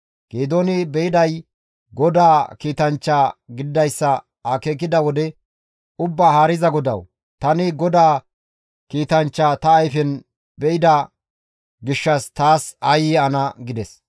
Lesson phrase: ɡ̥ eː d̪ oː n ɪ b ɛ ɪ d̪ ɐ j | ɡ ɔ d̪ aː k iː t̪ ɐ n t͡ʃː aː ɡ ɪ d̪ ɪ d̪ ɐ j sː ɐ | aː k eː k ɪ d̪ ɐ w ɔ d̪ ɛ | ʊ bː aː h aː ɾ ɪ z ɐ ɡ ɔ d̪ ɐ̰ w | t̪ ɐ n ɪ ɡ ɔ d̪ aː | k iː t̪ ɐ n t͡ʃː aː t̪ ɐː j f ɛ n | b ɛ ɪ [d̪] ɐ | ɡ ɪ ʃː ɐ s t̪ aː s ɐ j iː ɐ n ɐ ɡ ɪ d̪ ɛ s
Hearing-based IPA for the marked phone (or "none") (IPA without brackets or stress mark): d̪